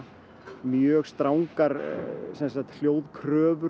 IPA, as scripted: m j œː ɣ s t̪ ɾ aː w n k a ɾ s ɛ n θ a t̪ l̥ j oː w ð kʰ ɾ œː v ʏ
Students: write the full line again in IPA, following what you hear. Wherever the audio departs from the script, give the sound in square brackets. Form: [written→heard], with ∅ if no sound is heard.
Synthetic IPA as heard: m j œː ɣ s t̪ ɾ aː w [n→ŋ] k a ɾ s ɛ n [θ→s] a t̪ l̥ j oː w ð kʰ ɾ œː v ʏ